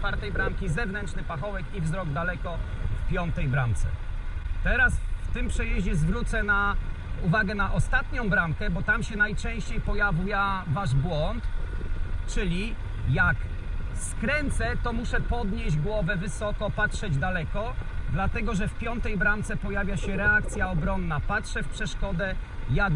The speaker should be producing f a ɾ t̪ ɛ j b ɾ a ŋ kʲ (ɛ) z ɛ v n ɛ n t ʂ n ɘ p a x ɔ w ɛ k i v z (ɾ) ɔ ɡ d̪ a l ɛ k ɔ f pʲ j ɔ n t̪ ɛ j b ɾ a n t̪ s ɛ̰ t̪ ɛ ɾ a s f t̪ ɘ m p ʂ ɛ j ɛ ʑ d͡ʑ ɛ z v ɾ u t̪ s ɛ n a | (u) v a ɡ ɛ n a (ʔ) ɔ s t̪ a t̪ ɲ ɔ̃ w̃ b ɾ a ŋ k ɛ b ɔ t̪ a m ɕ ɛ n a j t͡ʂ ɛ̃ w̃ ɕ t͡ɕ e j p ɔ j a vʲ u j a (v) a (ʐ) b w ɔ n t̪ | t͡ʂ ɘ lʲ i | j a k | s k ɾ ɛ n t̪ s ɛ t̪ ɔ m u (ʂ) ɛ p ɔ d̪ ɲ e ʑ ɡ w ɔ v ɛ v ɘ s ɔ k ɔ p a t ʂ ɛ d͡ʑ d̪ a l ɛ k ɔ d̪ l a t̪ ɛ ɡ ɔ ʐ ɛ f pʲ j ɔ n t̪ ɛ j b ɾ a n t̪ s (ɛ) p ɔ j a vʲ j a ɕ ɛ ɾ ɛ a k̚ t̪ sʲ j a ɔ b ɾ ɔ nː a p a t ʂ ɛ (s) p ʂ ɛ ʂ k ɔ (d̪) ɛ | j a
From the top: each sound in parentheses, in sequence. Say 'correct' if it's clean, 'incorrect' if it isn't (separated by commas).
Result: incorrect, correct, correct, correct, correct, correct, correct, correct, incorrect, correct